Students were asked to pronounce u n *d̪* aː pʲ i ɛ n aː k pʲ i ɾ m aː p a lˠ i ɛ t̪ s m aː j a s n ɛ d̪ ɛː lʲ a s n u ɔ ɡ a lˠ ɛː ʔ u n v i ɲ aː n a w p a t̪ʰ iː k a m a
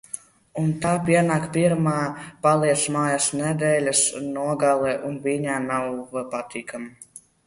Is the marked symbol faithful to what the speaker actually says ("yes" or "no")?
no